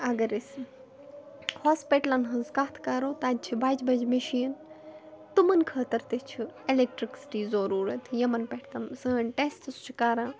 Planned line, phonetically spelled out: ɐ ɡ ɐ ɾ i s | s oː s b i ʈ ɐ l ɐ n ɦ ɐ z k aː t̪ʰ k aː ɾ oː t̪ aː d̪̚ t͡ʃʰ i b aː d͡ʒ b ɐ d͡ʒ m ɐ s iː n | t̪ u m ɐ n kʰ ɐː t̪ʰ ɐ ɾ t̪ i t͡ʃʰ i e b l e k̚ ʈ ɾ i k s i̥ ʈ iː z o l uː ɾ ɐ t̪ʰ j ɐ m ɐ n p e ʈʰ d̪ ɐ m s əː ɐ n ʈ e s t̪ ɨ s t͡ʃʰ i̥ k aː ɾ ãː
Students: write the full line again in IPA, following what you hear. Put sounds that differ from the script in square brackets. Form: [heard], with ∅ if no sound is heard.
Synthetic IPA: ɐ ɡ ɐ ɾ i s | [h] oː s [p] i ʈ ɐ l ɐ n ɦ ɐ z k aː t̪ʰ k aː ɾ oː t̪ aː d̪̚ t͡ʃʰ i b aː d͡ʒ b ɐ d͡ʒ m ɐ [ʃ] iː n | t̪ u m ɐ n kʰ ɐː [t̪] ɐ ɾ t̪ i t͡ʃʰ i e [∅] l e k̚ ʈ ɾ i k s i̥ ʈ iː z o [ɾ] uː ɾ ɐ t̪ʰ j ɐ m ɐ n p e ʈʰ [t̪] ɐ m s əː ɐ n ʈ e s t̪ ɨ s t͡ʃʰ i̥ k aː ɾ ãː